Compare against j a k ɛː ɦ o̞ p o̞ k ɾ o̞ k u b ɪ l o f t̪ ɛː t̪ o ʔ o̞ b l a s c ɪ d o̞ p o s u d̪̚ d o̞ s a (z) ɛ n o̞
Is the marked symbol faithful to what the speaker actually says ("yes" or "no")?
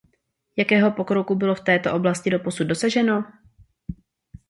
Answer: no